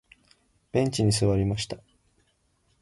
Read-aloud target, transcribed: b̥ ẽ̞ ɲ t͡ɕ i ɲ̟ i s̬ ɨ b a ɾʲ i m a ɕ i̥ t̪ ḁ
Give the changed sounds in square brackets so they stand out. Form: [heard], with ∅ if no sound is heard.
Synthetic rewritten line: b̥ ẽ̞ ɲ t͡ɕ i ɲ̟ i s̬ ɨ [β] a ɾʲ i m a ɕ i̥ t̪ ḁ

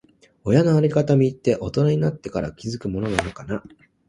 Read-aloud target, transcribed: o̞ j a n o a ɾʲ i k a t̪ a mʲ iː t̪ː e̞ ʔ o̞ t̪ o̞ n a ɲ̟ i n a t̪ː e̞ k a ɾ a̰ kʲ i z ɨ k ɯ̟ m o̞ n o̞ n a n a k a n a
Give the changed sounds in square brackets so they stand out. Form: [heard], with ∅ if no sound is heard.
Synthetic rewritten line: o̞ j a n o a ɾʲ i k a t̪ a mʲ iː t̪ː e̞ ʔ o̞ t̪ o̞ n a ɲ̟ i n a t̪ː e̞ k a ɾ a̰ kʲ i z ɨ k ɯ̟ m o̞ n o̞ n a n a k a n a

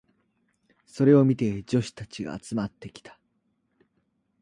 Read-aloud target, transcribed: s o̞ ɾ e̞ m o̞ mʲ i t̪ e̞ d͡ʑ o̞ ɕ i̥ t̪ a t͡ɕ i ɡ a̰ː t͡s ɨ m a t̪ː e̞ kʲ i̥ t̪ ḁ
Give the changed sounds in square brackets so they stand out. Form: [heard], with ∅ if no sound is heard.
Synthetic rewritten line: s o̞ ɾ e̞ [∅] o̞ mʲ i t̪ e̞ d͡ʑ o̞ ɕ i̥ t̪ a t͡ɕ i ɡ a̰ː t͡s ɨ m a t̪ː e̞ kʲ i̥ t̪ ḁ

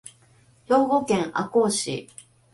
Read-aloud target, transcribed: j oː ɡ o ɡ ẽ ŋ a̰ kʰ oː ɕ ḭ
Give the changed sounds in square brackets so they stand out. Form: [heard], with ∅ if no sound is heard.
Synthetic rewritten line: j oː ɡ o [k] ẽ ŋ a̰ [k] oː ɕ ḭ

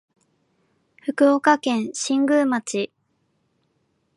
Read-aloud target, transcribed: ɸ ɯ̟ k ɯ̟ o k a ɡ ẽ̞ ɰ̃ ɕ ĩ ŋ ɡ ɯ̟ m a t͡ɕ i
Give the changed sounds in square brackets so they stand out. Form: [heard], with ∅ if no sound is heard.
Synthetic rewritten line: ɸ ɯ̟ k ɯ̟ o k a [k] ẽ̞ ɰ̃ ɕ ĩ ŋ ɡ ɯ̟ m a t͡ɕ i

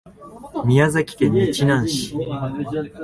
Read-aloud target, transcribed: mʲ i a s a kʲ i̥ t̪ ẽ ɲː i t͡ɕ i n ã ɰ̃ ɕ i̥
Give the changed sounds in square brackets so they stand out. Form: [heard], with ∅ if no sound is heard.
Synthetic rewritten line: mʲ i a [z] a kʲ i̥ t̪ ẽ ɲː i t͡ɕ i n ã ɰ̃ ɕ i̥

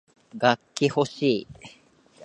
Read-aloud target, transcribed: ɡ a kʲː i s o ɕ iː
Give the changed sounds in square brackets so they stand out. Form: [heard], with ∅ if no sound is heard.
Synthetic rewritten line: ɡ a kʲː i [h] o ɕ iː

